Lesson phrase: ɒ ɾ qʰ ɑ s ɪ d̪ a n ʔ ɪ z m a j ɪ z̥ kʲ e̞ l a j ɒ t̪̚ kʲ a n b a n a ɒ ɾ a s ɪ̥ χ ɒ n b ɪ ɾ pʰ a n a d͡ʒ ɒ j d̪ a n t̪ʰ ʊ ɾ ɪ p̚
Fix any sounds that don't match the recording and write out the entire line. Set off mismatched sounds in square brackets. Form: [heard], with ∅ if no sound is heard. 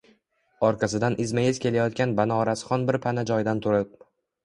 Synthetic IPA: ɒ ɾ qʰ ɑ s ɪ d̪ a n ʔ ɪ z m a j ɪ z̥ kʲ e̞ l a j ɒ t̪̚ kʲ a n b a n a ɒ ɾ a s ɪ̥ χ ɒ n b ɪ ɾ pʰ a n a d͡ʒ ɒ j d̪ a n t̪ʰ ʊ ɾ ɪ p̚